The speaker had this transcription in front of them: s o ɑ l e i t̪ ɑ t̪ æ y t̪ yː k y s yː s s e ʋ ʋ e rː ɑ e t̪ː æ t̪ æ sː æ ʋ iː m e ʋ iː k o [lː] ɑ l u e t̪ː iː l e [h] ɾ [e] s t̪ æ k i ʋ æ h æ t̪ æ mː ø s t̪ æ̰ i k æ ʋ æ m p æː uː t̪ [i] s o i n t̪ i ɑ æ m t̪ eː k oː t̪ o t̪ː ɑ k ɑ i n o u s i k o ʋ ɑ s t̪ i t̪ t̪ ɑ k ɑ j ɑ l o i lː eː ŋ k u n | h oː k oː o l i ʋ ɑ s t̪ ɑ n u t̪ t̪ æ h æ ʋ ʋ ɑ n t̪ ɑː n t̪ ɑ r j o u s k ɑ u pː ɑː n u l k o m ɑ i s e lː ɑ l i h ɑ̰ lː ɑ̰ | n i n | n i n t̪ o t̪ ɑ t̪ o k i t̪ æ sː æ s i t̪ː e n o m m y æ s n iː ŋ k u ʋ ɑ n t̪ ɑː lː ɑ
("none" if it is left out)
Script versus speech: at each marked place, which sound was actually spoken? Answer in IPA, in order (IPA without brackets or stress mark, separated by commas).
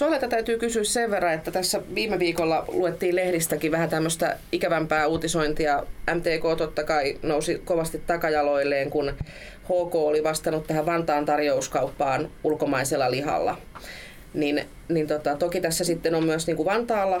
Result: lː, h, i, i